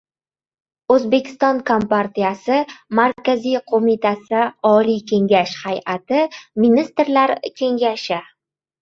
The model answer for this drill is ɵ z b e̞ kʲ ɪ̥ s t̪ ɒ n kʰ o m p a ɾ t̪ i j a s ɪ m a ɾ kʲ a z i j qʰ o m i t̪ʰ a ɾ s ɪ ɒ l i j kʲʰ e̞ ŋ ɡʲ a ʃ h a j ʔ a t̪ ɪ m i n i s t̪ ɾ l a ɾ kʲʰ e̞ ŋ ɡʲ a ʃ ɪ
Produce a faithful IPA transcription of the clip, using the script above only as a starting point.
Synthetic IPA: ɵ z b e̞ kʲ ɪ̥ s t̪ ɒ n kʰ o m p a ɾ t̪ i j a s ɪ m a ɾ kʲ a z i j qʰ o m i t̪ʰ a s ɪ ɒ l i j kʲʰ e̞ ŋ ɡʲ a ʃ h a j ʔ a t̪ ɪ m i n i s t̪ ɾ l a ɾ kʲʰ e̞ ŋ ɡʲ a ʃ ɪ